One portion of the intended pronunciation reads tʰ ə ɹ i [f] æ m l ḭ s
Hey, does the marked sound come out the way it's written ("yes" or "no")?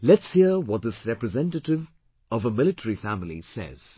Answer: yes